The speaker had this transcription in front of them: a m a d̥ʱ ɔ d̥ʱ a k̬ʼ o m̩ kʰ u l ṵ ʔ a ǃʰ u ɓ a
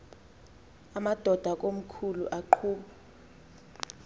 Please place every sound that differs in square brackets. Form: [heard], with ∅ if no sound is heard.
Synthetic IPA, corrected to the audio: a m a d̥ʱ ɔ d̥ʱ a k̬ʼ o m̩ kʰ u l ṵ ʔ a ǃʰ [uː] ɓ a